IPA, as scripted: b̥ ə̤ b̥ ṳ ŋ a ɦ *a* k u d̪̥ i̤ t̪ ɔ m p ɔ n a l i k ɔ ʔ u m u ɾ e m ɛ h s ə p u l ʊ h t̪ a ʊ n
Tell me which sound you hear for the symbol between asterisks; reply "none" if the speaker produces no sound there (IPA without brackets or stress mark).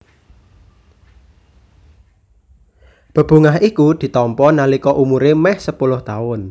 i